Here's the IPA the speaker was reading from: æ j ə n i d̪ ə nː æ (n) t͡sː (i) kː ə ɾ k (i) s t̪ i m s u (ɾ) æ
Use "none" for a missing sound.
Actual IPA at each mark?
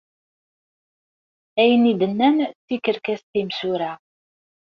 n, i, æ, ɾ

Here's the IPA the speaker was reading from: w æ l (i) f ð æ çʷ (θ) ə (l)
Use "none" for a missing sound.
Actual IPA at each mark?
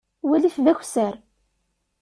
i, s, ɾ

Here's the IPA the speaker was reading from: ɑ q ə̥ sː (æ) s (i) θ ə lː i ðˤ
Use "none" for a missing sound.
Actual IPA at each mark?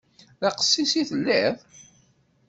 i, i

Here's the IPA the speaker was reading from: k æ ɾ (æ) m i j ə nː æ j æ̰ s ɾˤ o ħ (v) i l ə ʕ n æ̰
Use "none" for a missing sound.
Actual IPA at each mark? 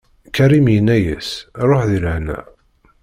i, ð

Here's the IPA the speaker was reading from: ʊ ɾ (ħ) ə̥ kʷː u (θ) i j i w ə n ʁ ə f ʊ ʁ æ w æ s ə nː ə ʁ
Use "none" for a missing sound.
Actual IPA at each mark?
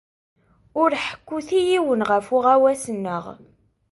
ħ, θ

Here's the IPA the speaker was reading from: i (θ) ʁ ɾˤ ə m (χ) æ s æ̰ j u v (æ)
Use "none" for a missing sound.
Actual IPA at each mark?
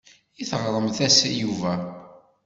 θ, θ, æ

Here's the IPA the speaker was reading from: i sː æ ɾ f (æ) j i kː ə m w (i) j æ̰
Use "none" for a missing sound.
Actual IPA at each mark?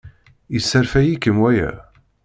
æ, æ

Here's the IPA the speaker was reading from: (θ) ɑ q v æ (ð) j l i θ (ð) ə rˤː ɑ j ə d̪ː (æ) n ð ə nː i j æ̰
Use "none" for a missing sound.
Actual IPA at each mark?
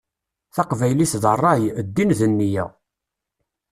θ, none, ð, i

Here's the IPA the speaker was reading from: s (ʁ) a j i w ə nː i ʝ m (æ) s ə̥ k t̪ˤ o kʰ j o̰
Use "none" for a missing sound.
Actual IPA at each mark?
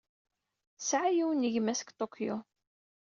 ʕ, æ

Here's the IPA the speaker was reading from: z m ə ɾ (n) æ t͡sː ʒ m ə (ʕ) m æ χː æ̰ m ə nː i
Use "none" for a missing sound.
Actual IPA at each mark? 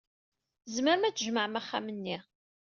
m, ʕ

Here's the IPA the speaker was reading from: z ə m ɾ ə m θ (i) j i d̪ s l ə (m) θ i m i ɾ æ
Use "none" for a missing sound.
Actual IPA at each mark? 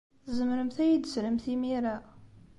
æ, m

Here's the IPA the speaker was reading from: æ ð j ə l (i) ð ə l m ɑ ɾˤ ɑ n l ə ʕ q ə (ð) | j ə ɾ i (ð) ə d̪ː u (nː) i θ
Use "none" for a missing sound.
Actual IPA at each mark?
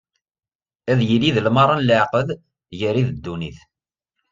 i, ð, ð, n

